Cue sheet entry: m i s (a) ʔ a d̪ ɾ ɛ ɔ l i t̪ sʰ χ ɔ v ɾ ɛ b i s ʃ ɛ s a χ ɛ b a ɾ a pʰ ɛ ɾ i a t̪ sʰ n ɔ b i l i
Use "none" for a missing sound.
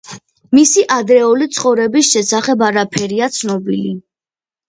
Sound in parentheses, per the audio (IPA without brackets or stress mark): i